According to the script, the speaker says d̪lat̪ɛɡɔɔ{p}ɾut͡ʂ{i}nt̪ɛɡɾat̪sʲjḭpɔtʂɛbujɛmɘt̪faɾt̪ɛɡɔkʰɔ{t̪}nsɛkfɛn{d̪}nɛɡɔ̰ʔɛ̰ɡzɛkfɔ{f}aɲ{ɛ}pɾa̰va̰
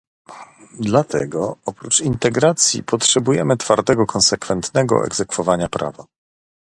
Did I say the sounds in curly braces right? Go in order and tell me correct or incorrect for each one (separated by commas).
correct, correct, incorrect, incorrect, incorrect, incorrect